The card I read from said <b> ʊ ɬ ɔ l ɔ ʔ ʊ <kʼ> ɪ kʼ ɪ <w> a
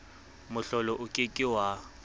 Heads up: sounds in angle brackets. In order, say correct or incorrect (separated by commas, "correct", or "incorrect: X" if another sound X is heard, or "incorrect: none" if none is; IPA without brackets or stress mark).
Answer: incorrect: m, correct, correct